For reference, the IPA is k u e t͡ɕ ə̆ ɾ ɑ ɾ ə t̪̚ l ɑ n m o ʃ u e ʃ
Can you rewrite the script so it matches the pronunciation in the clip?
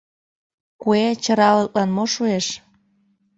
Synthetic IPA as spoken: k u e t͡ɕ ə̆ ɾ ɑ l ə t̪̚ l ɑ n m o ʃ u e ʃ